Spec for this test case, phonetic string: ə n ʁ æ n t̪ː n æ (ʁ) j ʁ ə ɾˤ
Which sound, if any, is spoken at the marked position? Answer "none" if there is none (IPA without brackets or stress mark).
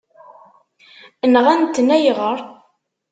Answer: none